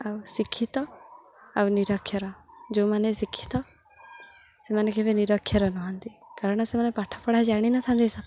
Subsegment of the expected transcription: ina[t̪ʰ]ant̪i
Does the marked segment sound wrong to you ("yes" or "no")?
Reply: no